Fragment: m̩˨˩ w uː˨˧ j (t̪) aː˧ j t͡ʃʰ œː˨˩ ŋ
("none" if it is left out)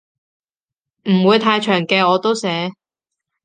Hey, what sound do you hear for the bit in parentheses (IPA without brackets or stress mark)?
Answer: t̪ʰ